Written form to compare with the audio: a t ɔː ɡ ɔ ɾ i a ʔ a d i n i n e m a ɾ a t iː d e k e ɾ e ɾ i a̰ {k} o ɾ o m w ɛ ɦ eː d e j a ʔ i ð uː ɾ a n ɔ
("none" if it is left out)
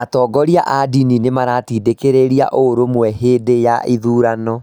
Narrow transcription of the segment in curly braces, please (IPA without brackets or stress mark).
ʔ